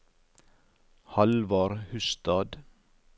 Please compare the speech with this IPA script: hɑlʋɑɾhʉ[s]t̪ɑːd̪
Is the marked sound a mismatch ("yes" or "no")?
no